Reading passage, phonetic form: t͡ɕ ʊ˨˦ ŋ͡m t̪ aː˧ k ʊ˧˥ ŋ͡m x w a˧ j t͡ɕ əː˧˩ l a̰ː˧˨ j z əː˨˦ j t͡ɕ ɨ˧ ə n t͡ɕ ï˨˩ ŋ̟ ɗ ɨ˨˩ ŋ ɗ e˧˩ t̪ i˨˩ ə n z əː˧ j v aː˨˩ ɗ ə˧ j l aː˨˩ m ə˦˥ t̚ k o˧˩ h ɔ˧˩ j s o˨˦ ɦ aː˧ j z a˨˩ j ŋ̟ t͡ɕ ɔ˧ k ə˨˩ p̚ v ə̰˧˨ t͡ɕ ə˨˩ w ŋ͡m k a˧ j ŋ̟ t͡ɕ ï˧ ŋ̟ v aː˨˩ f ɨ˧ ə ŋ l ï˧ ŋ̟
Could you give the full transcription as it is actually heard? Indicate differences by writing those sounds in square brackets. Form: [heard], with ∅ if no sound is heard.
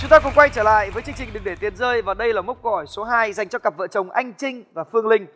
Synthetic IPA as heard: t͡ɕ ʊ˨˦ ŋ͡m t̪ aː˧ k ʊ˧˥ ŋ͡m [k] w a˧ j t͡ɕ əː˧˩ l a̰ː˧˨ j [v] əː˨˦ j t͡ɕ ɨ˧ ə [ŋ] t͡ɕ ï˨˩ ŋ̟ ɗ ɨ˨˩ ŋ ɗ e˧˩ t̪ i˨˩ ə n z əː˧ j v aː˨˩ ɗ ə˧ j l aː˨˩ m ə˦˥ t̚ k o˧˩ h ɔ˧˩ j s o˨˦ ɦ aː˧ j z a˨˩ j ŋ̟ t͡ɕ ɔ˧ k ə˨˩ p̚ v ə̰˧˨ t͡ɕ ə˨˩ w ŋ͡m [ʔ] a˧ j ŋ̟ t͡ɕ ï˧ ŋ̟ v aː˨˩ f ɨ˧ ə ŋ l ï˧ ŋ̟